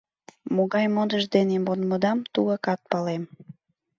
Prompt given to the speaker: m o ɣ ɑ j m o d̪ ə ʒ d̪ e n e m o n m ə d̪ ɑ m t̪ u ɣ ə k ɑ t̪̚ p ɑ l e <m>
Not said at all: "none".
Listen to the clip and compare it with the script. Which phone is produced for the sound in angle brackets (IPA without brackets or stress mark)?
m